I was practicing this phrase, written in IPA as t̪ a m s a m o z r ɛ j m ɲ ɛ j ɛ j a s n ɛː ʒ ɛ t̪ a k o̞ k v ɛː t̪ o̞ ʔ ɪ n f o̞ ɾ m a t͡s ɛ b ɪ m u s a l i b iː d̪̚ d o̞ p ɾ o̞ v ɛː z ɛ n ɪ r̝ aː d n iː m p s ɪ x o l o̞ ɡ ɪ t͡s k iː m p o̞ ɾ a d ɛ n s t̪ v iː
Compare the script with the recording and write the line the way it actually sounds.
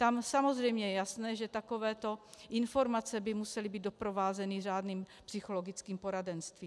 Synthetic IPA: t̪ a m s a m o z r ɛ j m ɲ ɛ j ɛ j a s n ɛː ʒ ɛ t̪ a k o̞ v ɛː t̪ o̞ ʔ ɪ n f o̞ ɾ m a t͡s ɛ b ɪ m u s ɛ l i b iː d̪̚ d o̞ p ɾ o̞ v aː z ɛ n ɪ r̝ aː d n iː m p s ɪ x o l o̞ ɡ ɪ t͡s k iː m p o̞ ɾ a d ɛ n s t̪ v iː